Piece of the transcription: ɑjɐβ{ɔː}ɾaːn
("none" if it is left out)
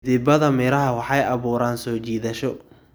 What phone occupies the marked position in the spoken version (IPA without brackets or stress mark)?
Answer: uː